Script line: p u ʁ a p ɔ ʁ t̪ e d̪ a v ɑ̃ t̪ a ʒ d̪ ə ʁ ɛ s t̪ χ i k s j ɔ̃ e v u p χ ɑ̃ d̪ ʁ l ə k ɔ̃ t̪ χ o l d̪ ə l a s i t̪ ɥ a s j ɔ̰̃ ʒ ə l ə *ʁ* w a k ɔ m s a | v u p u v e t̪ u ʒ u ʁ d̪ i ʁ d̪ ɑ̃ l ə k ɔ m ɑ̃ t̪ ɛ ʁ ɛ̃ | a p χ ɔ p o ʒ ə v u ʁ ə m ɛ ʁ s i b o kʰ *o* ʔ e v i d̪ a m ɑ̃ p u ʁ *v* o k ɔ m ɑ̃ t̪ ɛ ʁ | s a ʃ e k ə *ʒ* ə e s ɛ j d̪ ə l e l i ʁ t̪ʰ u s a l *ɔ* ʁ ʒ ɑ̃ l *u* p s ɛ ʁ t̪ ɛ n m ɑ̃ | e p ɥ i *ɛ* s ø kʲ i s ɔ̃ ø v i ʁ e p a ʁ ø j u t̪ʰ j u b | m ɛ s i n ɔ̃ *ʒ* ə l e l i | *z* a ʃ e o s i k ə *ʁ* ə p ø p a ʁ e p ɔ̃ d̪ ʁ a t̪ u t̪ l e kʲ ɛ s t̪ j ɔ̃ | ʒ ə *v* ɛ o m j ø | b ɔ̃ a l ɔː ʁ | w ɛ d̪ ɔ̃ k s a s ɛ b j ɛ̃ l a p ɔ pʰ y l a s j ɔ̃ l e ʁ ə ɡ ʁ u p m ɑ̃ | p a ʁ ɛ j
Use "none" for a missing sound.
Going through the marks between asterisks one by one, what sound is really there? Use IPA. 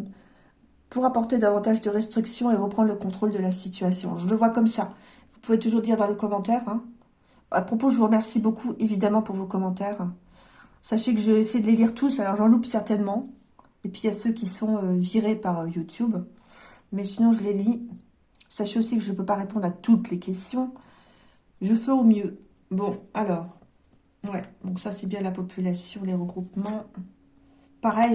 v, u, v, ʒ, ɔ, u, a, ʒ, s, ʒ, f

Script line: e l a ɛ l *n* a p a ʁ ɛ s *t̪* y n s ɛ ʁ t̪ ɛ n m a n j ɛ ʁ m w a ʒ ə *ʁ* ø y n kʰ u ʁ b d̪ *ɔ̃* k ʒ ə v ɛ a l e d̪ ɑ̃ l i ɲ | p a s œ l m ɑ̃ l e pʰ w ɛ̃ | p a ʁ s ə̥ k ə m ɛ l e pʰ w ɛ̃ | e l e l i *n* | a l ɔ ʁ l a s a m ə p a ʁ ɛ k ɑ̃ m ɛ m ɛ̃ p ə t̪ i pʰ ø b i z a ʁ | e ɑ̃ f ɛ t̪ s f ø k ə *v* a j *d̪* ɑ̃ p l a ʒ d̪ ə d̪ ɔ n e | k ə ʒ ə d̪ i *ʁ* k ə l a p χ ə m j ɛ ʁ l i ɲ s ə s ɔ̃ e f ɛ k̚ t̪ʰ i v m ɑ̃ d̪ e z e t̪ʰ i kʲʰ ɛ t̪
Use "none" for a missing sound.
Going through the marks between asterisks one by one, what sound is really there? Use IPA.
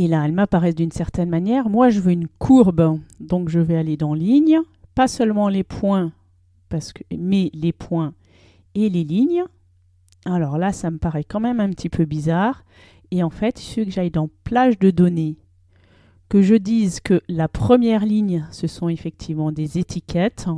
m, d̪, v, ɔ̃, ɲ, ʒ, d̪, z

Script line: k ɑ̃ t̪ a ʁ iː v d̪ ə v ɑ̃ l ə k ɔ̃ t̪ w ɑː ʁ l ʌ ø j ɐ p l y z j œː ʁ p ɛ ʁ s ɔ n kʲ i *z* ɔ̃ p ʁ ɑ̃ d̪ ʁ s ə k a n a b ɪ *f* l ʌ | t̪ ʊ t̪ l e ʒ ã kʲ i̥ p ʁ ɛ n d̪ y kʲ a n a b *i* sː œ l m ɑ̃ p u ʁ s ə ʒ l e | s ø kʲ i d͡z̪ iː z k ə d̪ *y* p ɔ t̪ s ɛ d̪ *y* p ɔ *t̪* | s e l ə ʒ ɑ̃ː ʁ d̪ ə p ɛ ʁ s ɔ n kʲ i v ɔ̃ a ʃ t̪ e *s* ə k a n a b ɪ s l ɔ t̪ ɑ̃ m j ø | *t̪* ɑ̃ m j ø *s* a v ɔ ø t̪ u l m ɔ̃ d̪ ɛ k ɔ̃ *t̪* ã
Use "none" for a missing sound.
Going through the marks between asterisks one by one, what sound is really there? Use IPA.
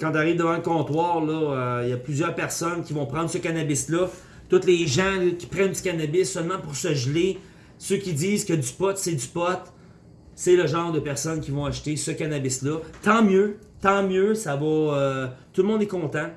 v, s, ɪ, y, y, t̪, s, t̪, s, t̪

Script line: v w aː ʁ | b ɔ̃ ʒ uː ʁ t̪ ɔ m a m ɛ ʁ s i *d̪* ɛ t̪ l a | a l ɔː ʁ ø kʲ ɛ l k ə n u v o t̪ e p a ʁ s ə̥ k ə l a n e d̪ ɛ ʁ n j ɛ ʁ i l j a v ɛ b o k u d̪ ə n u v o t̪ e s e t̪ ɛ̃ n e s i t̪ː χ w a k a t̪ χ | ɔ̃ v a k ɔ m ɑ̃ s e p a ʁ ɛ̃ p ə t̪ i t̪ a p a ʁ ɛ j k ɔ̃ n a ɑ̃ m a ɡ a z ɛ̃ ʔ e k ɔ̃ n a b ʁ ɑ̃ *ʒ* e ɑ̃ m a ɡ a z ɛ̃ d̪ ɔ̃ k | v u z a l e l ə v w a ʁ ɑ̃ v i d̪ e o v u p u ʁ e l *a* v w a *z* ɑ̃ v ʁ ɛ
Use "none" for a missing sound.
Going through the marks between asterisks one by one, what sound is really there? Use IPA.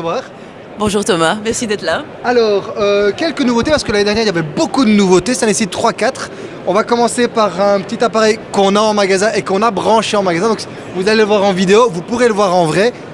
d̪, ʃ, ə, ʁ

